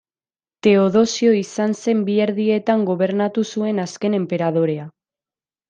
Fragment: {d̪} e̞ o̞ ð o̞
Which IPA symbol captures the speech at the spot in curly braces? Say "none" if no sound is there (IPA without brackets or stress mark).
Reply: t̪